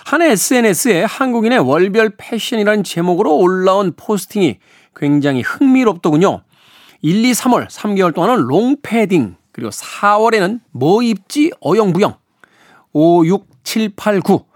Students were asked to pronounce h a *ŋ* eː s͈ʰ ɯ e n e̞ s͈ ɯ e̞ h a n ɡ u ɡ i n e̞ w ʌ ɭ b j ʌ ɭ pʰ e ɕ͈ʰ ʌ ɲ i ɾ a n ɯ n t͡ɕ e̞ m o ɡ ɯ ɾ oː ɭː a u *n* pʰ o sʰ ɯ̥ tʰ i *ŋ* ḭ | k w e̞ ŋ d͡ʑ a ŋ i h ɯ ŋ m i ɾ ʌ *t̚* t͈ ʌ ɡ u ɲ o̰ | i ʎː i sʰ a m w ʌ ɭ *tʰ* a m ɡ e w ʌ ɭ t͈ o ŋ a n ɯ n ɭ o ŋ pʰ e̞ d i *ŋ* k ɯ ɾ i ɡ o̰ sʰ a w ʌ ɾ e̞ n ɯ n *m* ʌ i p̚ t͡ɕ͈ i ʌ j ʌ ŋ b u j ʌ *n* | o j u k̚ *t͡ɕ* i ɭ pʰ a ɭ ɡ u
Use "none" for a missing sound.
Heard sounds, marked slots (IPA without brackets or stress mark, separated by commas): n, n, ŋ, p̚, sʰ, ŋ, m, ŋ, t͡ɕʰ